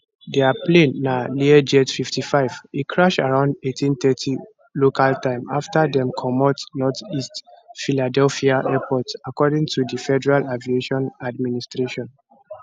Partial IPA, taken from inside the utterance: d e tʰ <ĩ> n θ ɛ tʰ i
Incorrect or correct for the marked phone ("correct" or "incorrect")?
correct